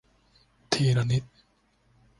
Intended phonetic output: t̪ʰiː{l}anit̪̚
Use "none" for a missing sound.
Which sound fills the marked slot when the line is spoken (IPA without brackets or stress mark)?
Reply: ɾ